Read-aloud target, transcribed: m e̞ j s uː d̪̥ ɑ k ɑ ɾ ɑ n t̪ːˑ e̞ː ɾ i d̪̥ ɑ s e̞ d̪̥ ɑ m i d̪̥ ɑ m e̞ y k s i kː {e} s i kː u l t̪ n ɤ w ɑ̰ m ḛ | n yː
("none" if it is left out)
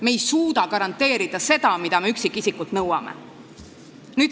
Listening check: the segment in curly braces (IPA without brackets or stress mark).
i